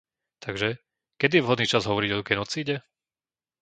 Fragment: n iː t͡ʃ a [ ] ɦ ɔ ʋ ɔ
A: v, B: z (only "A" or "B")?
B